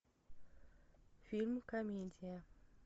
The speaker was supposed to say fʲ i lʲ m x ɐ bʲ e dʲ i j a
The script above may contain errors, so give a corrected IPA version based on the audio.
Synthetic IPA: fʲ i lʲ m k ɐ mʲ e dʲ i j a